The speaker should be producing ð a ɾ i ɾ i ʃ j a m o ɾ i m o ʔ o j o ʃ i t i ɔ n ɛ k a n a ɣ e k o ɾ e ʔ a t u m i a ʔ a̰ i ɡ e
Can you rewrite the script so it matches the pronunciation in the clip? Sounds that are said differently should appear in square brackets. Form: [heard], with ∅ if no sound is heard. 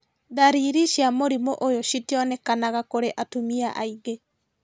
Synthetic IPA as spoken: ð a ɾ i ɾ i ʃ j a m o ɾ i m o ʔ o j o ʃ i t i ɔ n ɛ k a n a ɣ [a] k o ɾ e ʔ a t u m i a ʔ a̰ i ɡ e